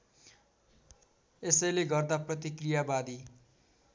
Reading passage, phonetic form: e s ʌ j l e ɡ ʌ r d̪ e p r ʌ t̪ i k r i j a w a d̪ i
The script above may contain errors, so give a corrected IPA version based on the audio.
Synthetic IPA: e s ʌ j l e ɡ ʌ r d̪ a p r ʌ t̪ i k r i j a b a d̪ i